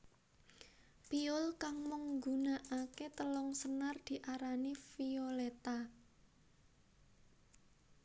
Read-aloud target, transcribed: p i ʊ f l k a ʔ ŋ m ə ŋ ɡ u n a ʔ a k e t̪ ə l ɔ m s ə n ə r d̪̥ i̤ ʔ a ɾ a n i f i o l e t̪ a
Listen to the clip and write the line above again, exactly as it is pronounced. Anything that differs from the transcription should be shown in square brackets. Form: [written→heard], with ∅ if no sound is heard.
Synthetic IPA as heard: p i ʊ [f→∅] l k a [ʔ→∅] ŋ m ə ŋ ɡ u n a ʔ a k e t̪ ə l ɔ [m→ŋ] s ə n [ə→a] r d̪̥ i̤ ʔ a ɾ a n i f i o l e t̪ a